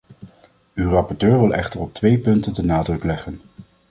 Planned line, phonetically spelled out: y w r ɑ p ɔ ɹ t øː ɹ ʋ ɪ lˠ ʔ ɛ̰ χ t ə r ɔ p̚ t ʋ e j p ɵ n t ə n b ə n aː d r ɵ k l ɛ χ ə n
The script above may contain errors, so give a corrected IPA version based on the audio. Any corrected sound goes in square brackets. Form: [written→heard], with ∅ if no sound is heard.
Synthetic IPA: y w r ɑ p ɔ ɹ t øː ɹ ʋ ɪ lˠ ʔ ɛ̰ χ t ə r ɔ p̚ t ʋ e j p ɵ n t ə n [b→d] ə n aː d r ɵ k l ɛ χ ə n